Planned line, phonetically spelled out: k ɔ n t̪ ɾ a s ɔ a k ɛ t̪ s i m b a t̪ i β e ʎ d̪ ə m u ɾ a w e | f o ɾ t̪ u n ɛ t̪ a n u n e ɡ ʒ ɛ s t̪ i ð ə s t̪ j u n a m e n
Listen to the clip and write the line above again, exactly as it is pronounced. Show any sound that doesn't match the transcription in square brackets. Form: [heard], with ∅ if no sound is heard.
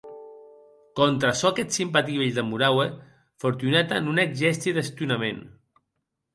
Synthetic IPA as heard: k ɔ n t̪ ɾ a s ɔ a k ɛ t̪ s i m [p] a t̪ i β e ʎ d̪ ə m u ɾ a w e | f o ɾ t̪ u n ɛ t̪ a n u n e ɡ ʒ ɛ s t̪ i ð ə s t̪ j u n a m e n